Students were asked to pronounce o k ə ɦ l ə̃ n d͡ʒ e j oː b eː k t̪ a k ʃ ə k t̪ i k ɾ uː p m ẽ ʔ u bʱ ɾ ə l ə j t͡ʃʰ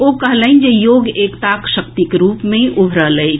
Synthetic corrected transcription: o k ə ɦ l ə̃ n d͡ʒ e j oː ɡ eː k t̪ a k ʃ ə k t̪ i k ɾ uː p m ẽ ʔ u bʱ ɾ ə l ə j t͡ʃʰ